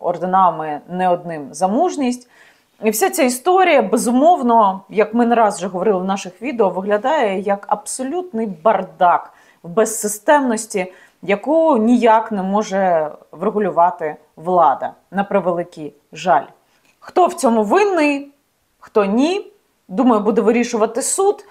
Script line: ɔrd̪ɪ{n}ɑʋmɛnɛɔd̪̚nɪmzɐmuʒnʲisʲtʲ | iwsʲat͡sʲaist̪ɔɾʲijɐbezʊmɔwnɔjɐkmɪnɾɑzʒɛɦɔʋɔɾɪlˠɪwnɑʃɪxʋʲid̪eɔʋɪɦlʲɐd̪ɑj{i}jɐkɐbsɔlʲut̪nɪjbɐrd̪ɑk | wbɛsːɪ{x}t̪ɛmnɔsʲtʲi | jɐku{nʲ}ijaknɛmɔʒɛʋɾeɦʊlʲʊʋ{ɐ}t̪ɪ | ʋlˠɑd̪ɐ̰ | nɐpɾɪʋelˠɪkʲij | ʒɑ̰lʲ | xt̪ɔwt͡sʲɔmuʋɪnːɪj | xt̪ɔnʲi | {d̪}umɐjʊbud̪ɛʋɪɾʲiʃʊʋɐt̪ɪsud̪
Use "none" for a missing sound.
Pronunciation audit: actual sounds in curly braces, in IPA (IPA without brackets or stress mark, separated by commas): n, ɛ, s, nʲ, ɑ, d̪